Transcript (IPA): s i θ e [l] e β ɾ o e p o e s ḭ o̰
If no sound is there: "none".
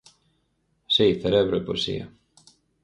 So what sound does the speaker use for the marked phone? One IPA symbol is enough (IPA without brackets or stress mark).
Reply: ɾ